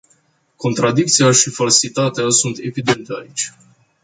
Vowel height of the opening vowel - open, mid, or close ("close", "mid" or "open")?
mid